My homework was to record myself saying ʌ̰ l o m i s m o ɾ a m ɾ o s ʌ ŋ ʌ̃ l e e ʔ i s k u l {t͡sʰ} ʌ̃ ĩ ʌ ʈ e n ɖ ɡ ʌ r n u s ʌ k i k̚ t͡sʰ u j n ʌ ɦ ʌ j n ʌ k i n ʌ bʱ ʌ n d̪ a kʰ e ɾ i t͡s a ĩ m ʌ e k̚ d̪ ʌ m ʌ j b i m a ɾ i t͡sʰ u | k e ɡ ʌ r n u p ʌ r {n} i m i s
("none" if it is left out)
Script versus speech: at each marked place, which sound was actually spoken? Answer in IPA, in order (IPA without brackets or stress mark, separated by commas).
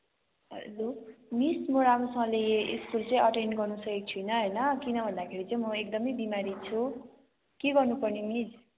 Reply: t͡s, n